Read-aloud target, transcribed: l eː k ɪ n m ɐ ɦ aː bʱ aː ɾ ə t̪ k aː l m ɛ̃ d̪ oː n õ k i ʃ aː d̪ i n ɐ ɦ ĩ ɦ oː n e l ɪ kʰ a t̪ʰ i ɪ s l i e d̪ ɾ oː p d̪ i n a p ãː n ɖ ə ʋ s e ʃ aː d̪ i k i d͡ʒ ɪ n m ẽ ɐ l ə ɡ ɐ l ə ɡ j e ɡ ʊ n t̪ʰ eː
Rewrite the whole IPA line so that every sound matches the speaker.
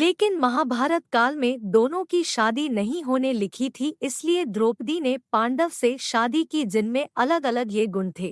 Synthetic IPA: l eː k ɪ n m ɐ ɦ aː bʱ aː ɾ ə t̪ k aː l m ẽ d̪ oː n õ k i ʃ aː d̪ i n ɐ ɦ ĩ ɦ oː n e l ɪ kʰ i t̪ʰ i ɪ s l i e d̪ ɾ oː p d̪ i n e p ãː ɳ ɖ ə ʋ s e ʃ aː d̪ i k i d͡ʒ ɪ n m ẽ ɐ l ə ɡ ɐ l ə ɡ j e ɡ ʊ n t̪ʰ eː